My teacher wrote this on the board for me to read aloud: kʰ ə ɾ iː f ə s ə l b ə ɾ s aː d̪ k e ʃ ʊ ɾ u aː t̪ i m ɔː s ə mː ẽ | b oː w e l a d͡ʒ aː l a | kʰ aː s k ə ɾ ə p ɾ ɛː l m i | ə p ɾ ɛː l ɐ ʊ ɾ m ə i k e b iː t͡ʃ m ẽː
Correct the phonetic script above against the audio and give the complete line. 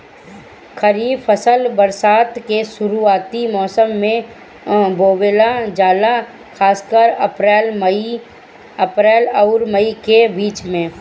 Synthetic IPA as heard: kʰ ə ɾ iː f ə s ə l b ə ɾ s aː t̪ k e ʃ ʊ ɾ u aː t̪ i m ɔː s ə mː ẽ | b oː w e l a d͡ʒ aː l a | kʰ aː s k ə ɾ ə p ɾ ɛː l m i | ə p ɾ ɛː l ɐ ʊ ɾ m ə i k e b iː t͡ʃ m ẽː